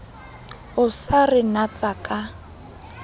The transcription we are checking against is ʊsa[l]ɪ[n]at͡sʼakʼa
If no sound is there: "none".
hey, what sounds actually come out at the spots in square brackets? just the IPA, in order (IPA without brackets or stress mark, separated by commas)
r, n